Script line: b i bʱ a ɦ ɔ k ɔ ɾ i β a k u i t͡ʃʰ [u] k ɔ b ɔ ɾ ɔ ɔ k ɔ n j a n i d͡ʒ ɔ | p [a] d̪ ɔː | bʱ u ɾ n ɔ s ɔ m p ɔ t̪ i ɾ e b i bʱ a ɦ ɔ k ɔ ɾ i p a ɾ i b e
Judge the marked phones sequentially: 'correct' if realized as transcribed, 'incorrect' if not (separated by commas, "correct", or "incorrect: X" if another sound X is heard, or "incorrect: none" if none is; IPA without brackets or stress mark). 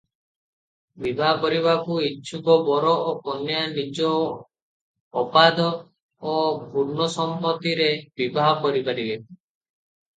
correct, correct